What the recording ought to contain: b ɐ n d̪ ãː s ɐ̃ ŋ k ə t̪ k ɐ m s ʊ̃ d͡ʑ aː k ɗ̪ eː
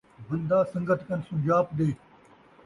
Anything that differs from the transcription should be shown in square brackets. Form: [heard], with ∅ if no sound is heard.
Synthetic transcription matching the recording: b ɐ n d̪ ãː s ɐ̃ ŋ [ɡ] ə t̪ k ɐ [n] s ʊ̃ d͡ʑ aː [p] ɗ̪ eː